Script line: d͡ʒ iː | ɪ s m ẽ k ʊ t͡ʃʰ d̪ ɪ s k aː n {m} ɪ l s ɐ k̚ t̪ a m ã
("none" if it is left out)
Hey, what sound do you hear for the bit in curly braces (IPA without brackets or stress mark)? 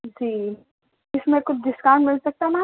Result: m